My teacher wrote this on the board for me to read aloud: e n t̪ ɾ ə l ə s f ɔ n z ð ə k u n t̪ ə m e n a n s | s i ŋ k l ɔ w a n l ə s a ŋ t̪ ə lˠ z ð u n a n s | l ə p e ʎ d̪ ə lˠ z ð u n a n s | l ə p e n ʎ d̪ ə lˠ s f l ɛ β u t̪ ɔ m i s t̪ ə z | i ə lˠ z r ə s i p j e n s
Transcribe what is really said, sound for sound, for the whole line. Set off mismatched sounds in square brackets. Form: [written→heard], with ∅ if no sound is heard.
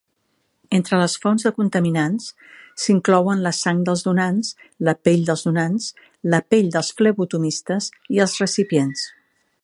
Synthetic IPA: e n t̪ ɾ ə l ə s f ɔ n z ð ə k u n t̪ ə m [e→i] n a n s | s i ŋ k l ɔ w [a→ə] n l ə s a ŋ [t̪→d̪] ə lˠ z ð u n a n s | l ə p e ʎ d̪ ə lˠ z ð u n a n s | l ə p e [n→∅] ʎ d̪ ə lˠ s f l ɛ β u t̪ [ɔ→u] m i s t̪ ə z | i ə lˠ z r ə s i p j e n s

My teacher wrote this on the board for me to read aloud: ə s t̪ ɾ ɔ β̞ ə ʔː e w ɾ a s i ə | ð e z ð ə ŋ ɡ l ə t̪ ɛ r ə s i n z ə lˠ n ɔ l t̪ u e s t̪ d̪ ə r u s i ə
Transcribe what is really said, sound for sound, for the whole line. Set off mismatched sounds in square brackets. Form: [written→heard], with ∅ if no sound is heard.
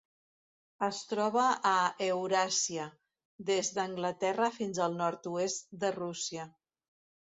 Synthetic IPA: ə s t̪ ɾ ɔ β̞ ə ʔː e w ɾ a s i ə | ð e z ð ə ŋ ɡ l ə t̪ ɛ r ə [s→f] i n z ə lˠ n ɔ [l→ɾ] t̪ u e s t̪ d̪ ə r u s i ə

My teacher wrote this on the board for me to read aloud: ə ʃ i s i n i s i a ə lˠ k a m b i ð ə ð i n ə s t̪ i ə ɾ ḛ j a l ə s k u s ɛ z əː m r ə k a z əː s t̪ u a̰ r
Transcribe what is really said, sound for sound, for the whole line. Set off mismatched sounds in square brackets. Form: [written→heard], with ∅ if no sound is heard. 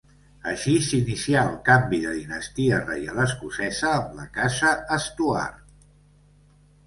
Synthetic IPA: ə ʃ i s i n i s i a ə lˠ k a m b i ð ə ð i n ə s t̪ i ə [ɾ→r] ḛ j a l ə s k u s ɛ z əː m [r→l] ə k a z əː s t̪ u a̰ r

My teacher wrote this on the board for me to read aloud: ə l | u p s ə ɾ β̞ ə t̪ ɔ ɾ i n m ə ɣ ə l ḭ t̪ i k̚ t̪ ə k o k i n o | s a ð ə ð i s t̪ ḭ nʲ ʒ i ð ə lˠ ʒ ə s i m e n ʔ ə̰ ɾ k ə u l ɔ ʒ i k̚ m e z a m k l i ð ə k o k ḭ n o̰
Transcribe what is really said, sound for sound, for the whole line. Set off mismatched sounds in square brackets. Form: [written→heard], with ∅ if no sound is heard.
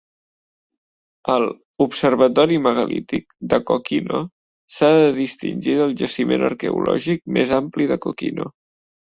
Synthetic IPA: ə l | u p s ə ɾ β̞ ə t̪ ɔ ɾ i [n→∅] m ə ɣ ə l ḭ t̪ i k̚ [t̪→d̪] ə k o k i n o | s a ð ə ð i s t̪ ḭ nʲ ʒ i ð ə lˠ ʒ ə s i m e n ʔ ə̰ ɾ k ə u l ɔ ʒ i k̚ m e z a m [k→p] l i ð ə k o k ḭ n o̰

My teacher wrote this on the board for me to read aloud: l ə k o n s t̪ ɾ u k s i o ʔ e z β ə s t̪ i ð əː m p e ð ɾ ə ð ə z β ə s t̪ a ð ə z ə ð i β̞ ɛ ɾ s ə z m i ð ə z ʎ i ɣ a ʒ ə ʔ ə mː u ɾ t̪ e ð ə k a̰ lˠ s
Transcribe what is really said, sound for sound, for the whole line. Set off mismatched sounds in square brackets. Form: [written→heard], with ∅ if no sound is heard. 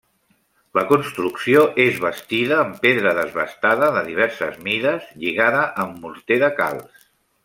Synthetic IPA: l ə k [o→u] n s t̪ ɾ u k s i o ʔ e z β ə s t̪ i ð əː m p e ð ɾ ə ð ə z β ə s t̪ a ð ə [z→ð] ə ð i β̞ ɛ ɾ s ə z m i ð ə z ʎ i ɣ a [ʒ→ð] ə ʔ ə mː u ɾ t̪ e ð ə k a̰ lˠ s

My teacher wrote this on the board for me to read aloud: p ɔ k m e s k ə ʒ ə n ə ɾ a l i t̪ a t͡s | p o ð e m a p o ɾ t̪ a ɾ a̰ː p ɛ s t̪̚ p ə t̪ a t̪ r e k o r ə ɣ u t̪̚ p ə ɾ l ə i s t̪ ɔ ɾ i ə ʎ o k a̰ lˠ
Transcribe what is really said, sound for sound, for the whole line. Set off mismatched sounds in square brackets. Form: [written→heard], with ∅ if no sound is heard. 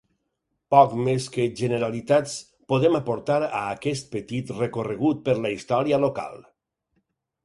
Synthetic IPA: p ɔ k m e s k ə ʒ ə n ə ɾ a l i t̪ a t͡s | p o ð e m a p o ɾ t̪ a ɾ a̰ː [p→k] ɛ s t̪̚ p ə t̪ [a→i] t̪ r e k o r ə ɣ u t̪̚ p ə ɾ l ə i s t̪ ɔ ɾ i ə [ʎ→l] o k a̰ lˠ

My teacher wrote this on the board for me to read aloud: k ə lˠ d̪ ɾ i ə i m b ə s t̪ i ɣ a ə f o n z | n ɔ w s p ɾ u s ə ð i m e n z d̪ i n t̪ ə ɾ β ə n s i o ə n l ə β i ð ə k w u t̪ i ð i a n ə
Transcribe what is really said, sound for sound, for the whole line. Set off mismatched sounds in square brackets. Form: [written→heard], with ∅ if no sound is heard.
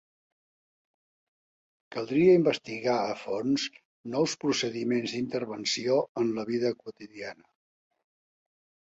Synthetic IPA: k ə lˠ d̪ ɾ i ə i m b ə s t̪ i ɣ a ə f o n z | n ɔ w s p ɾ u s ə ð i m e n z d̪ i n t̪ ə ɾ β ə n s i o ə n l ə β i ð ə k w u t̪ i ð i a n ə

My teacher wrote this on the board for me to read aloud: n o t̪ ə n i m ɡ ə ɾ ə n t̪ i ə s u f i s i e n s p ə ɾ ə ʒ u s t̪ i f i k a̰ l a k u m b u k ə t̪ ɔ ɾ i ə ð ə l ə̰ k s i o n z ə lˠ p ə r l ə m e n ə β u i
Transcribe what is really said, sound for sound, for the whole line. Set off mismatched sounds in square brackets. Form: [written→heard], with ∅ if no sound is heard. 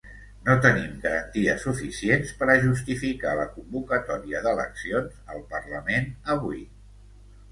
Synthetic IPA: n o t̪ ə n i m ɡ ə ɾ ə n t̪ i ə s u f i s i e n s p ə ɾ ə ʒ u s t̪ i f i k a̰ l [a→ə] k u m b u k ə t̪ ɔ ɾ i ə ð ə l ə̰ k s i o n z ə lˠ p ə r l ə m e n ə β u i

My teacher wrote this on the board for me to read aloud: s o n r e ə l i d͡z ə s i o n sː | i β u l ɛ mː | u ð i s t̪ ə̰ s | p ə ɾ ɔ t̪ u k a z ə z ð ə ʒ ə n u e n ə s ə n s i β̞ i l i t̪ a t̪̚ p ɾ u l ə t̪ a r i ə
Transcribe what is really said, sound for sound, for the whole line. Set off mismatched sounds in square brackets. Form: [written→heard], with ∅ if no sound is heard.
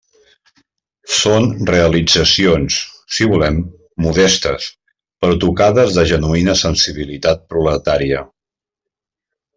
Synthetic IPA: s o n r e ə l i d͡z ə s i o n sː | i β u l ɛ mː | u ð [i→ɛ] s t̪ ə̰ s | p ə ɾ ɔ t̪ u k a [z→ð] ə z ð ə ʒ ə n u [e→i] n ə s ə n s i β̞ i l i t̪ a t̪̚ p ɾ u l ə t̪ a [r→ɾ] i ə

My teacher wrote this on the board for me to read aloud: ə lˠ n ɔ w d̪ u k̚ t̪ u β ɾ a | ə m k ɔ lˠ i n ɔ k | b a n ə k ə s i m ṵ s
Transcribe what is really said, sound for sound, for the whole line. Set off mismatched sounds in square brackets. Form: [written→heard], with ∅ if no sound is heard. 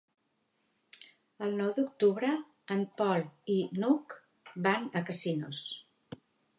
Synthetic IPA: ə lˠ n ɔ w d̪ u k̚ t̪ u β ɾ [a→ə] | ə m [k→p] ɔ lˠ i n [ɔ→u] k | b a n ə k ə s i [m→n] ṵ s

